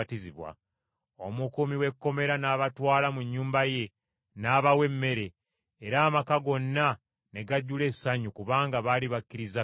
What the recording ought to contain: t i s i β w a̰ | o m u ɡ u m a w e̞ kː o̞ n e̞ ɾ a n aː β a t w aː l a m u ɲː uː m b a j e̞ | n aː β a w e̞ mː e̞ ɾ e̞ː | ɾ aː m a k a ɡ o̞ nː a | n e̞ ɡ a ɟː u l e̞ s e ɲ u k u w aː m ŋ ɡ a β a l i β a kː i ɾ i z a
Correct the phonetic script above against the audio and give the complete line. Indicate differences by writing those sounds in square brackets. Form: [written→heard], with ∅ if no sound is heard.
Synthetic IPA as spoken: t i [s→z] i β w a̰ | o m u [ɡ→k] u m [a→i] w e̞ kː o̞ [n→m] e̞ ɾ a n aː β a t w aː l a m u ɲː uː m b a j e̞ | n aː β a w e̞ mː e̞ ɾ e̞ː | ɾ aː m a k a ɡ o̞ nː a | n e̞ ɡ a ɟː u l e̞ s [e→a] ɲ u k u [w→β] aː [m→∅] ŋ ɡ a β a l i β a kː i ɾ i z a

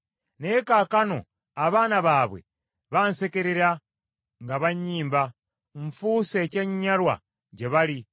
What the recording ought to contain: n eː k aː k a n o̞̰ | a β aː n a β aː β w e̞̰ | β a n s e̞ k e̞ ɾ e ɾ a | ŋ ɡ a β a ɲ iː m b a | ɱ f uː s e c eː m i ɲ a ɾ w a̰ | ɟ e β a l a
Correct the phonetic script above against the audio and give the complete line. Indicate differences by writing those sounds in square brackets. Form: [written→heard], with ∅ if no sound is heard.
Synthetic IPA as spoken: n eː k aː k a n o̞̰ | a β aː n a β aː β w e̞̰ | β a n s e̞ k e̞ ɾ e ɾ a | ŋ ɡ a β a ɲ iː m b a | ɱ f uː s e c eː [m→ɲ] i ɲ a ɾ w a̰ | ɟ e β a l [a→i]

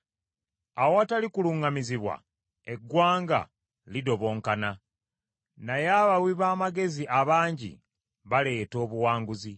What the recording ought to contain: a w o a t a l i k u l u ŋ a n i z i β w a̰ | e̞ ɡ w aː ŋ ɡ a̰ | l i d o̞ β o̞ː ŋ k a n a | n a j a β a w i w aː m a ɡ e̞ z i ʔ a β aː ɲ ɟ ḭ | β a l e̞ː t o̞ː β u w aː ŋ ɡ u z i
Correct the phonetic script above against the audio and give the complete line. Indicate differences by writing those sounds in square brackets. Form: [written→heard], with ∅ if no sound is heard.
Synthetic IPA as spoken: a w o a t a l i k u l u ŋ a [n→m] i z i β w a̰ | e̞ ɡ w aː ŋ ɡ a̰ | l i d o̞ β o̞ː ŋ k a n a | n a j a β a w i [w→β] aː m a ɡ e̞ z i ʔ a β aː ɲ ɟ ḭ | β a l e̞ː t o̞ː β u w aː ŋ ɡ u z i

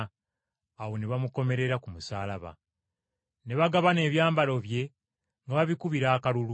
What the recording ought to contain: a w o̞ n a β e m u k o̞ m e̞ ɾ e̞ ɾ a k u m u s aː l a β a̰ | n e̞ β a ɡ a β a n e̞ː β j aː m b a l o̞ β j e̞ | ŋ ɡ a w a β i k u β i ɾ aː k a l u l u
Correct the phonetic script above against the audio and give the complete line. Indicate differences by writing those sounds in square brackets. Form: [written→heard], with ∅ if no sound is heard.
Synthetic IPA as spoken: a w o̞ n [a→e] β [e→a] m u k o̞ m e̞ ɾ e̞ ɾ a k u m u s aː l a β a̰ | n e̞ β a ɡ a β a n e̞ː β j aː m b a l o̞ β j e̞ | ŋ ɡ a [w→β] a β i k u β i ɾ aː k a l u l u

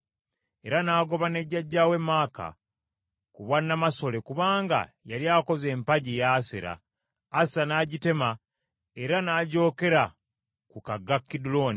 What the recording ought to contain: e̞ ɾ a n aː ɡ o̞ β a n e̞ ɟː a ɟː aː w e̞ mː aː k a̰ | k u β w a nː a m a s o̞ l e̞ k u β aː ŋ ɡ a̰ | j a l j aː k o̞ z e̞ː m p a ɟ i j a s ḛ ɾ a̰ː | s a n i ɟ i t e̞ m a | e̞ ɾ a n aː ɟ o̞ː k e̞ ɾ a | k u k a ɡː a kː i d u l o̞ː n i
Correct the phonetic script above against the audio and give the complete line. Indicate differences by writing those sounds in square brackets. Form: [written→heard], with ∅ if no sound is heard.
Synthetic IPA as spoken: e̞ ɾ a n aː ɡ o̞ β a n e̞ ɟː a ɟː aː w e̞ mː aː k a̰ | k u β w a nː a m a s o̞ l e̞ k u β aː ŋ ɡ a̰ | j a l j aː k o̞ z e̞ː m p a ɟ i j a s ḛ ɾ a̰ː | s a n [i→a] ɟ i t e̞ m a | e̞ ɾ a n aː ɟ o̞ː k e̞ ɾ a | k u k a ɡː a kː i d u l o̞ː n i

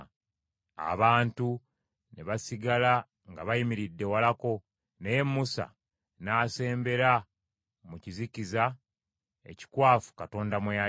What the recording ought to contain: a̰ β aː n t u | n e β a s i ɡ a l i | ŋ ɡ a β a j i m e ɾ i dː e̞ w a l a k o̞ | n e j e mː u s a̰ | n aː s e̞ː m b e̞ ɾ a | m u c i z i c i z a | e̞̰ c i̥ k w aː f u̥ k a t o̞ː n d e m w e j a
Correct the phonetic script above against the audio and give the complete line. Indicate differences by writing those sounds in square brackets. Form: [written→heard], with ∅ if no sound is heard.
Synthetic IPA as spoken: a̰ β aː n t u | n e β a s i ɡ a l [i→a] | ŋ ɡ a β a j i m [e→i] ɾ i dː e̞ w a l a k o̞ | n e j e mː u s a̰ | n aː s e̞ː m b e̞ ɾ a | m u c i z i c i z a | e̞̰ c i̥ k w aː f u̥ k a t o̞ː n d [e→a] m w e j a

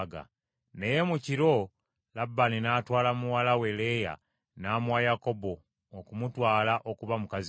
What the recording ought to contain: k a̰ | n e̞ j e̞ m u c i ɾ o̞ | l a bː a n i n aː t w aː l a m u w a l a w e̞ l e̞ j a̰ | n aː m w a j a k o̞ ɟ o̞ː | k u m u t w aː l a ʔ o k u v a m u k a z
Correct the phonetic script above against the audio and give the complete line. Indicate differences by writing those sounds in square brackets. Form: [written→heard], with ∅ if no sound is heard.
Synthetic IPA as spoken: [k→ɡ] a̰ | n e̞ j e̞ m u c i ɾ o̞ | l a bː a n i n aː t w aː l a m u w a l a w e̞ l e̞ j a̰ | n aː m w a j a k o̞ [ɟ→b] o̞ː | k u m u t w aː l a ʔ o k u [v→β] a m u k a z

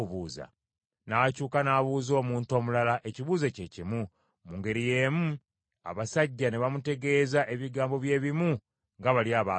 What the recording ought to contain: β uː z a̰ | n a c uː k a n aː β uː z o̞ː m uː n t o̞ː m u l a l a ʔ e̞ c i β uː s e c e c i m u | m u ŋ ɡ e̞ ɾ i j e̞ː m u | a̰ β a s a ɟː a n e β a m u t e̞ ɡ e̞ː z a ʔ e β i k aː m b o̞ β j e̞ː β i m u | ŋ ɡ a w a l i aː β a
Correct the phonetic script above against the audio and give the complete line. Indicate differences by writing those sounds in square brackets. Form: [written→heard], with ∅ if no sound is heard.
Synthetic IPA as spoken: β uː z a̰ | n a c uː k a n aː β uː z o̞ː m uː n t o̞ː m u l a l a ʔ e̞ c i β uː [s→z] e c e c i m u | m u ŋ ɡ e̞ ɾ i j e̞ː m u | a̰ β a s a ɟː a n e β a m u t e̞ ɡ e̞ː z a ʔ e β i [k→ɡ] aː m b o̞ β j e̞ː β i m u | ŋ ɡ a [w→β] a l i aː β a

